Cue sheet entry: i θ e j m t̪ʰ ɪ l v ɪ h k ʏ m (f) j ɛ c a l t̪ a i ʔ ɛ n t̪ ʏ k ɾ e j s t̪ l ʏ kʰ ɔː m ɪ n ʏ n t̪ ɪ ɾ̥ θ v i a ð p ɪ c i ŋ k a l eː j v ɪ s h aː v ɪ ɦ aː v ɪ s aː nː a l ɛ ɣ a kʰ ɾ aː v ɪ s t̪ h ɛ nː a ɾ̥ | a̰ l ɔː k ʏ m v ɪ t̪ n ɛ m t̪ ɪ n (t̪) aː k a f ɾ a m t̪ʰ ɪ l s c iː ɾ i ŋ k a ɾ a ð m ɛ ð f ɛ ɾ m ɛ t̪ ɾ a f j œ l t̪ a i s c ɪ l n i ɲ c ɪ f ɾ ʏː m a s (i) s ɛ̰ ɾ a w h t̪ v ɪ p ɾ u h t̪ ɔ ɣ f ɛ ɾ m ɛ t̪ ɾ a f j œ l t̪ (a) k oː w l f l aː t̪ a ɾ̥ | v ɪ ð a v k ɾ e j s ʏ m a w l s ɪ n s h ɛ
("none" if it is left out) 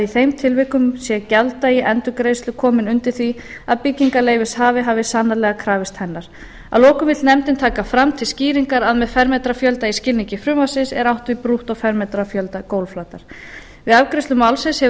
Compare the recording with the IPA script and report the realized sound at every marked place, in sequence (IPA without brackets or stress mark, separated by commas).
s, t̪ʰ, ɪ, a